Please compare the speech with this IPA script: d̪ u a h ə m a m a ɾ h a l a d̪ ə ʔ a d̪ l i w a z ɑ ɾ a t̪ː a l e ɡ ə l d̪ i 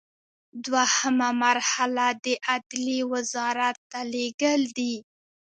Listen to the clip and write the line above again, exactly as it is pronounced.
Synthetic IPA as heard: d̪ w a h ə m a m a ɾ h a l a d̪ ə ʔ a d̪ l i w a z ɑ ɾ a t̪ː a l e ɡ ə l d̪ i